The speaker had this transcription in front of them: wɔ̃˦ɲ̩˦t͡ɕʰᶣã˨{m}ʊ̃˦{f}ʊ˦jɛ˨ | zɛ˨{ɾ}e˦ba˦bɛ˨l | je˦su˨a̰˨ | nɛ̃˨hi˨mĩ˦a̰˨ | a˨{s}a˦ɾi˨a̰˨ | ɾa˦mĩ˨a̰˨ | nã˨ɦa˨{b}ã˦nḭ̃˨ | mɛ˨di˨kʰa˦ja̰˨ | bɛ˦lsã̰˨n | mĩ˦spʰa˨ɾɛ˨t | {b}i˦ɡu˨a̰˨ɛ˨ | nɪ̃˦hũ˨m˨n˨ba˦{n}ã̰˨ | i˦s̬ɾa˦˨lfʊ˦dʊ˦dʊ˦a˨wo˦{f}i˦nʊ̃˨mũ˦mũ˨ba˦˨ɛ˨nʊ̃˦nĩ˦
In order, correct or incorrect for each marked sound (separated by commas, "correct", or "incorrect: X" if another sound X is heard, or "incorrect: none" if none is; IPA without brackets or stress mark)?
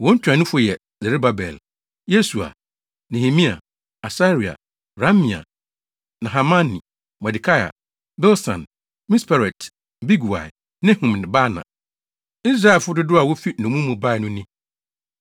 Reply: incorrect: n, correct, correct, correct, incorrect: m, correct, correct, correct